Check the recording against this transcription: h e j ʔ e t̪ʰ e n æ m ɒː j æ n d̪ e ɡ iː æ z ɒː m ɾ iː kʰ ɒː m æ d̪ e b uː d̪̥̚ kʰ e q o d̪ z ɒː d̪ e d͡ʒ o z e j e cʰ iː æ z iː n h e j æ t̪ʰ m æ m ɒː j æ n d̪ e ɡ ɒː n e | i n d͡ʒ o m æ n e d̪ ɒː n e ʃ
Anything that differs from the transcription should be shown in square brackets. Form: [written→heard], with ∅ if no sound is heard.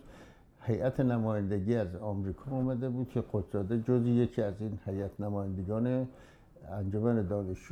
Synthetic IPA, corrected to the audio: h e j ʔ [e→æ] t̪ʰ e n æ m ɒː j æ n d̪ e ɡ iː æ z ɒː m ɾ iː kʰ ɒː m æ d̪ e b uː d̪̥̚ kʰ e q o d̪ z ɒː d̪ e d͡ʒ o z [e→i] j e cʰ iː æ z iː n h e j æ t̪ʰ [m→n] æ m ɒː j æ n d̪ e ɡ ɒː n e | [i→æ] n d͡ʒ o m æ n e d̪ ɒː n e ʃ